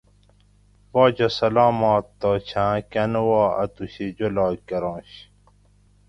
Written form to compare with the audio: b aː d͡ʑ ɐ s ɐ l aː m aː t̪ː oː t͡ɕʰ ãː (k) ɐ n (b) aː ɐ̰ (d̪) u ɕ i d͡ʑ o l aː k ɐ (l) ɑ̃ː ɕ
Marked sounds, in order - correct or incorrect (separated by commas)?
correct, incorrect, incorrect, incorrect